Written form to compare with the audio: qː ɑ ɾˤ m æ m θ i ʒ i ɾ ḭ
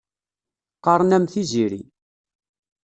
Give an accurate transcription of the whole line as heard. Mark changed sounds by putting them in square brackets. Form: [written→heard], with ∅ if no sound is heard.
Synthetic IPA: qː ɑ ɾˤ [m→n] æ m θ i [ʒ→z] i ɾ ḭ